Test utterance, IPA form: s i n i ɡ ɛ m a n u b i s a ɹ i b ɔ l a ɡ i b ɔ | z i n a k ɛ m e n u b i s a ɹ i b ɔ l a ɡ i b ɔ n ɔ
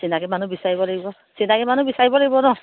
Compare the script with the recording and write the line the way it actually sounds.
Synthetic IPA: s i n a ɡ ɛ m a n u b i s a ɹ i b ɔ l a ɡ i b ɔ | s i n a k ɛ m a n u b i s a ɹ i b ɔ l a ɡ i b ɔ n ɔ

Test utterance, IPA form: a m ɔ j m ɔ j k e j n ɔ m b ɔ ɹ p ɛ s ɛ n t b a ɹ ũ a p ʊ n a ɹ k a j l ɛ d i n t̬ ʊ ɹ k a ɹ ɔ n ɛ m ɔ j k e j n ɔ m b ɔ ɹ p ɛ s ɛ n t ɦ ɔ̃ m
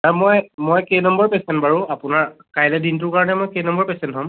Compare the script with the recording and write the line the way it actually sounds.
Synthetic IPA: a m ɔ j m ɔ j k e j n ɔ m b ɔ ɹ p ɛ s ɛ n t b a ɹ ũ a p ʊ n a ɹ k a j l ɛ d i n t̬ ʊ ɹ k a ɹ ɔ n ɛ m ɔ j k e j n ɔ m b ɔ ɹ p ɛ s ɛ n t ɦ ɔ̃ m

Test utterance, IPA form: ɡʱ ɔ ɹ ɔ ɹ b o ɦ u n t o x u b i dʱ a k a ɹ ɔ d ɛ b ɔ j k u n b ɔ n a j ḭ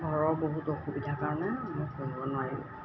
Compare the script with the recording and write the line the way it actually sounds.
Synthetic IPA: ɡʱ ɔ ɹ ɔ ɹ b o ɦ u t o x u b i dʱ a k a ɹ ɔ n ɛ m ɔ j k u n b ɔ n a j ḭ

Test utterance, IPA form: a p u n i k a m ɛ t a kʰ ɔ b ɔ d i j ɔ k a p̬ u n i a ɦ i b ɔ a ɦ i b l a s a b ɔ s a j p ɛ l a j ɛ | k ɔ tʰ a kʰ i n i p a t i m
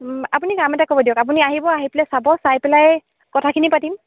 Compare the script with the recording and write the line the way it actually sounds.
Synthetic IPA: a p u n i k a m ɛ t a k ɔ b ɔ d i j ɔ k a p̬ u n i a ɦ i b ɔ a ɦ i p l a s a b ɔ s a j p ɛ l a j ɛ | k ɔ tʰ a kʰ i n i p a t i m

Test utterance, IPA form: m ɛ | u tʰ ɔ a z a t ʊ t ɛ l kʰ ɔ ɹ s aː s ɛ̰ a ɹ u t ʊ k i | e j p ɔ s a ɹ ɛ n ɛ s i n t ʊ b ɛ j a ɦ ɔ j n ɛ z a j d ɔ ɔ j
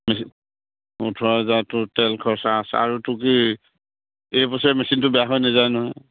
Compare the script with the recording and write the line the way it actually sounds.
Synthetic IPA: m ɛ | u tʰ ɔ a z a t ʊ t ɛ l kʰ ɔ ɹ s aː s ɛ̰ a ɹ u t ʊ k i | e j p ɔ s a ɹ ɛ m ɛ s i n t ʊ b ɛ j a ɦ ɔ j n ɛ z a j n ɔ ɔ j

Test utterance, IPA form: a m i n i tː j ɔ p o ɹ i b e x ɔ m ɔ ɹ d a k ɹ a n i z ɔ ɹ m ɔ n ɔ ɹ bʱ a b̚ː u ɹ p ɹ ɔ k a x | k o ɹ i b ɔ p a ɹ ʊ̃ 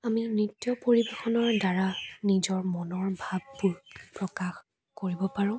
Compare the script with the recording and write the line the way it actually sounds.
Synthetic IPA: a m i n i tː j ɔ p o ɹ i b e x ɔ n ɔ ɹ d a ɹ a n i z ɔ ɹ m ɔ n ɔ ɹ bʱ a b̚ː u ɹ p ɹ ɔ k a x | k o ɹ i b ɔ p a ɹ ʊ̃

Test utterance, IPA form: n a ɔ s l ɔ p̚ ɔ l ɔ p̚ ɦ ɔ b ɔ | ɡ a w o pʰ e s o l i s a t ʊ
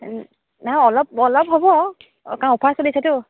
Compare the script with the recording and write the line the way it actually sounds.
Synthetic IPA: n a ɔ l ɔ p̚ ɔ l ɔ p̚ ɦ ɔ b ɔ | k a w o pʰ a s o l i s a t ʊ

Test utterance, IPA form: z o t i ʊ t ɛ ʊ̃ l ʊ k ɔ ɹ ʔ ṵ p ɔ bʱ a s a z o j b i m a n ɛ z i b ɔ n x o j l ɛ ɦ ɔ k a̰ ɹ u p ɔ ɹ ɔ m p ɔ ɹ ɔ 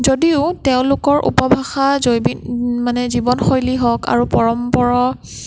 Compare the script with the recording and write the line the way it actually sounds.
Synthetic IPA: z o d i ʊ t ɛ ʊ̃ l ʊ k ɔ ɹ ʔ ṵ p ɔ bʱ a x a z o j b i m a n ɛ z i b ɔ n x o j l i ɦ ɔ k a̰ ɹ u p ɔ ɹ ɔ m p ɔ ɹ ɔ

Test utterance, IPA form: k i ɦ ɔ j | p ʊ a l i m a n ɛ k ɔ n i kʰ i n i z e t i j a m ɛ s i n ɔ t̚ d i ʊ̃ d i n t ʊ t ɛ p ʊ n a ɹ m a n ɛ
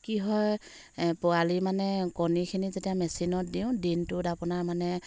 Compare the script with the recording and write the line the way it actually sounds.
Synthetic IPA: k i ɦ ɔ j | p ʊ a l i m a n ɛ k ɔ n i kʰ i n i z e t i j a m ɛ s i n ɔ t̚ d i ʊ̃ d i n t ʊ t a p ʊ n a ɹ m a n ɛ

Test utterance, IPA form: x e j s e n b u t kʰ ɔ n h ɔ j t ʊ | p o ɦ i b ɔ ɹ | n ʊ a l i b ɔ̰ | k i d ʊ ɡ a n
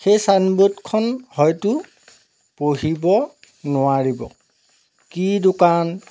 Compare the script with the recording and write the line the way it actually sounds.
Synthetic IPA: x e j s a n b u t kʰ ɔ n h ɔ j t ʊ | p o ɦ i b ɔ | n ʊ a ɹ i b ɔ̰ | k i d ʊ k a n

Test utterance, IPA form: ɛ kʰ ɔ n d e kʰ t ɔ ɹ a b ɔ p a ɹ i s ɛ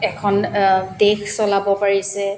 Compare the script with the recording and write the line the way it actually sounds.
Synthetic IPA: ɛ kʰ ɔ n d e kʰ s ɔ l a b ɔ p a ɹ i s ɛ

